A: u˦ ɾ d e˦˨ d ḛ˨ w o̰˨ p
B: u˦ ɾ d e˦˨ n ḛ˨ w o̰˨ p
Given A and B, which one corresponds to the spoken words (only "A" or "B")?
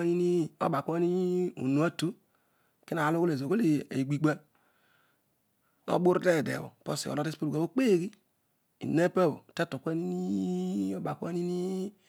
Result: A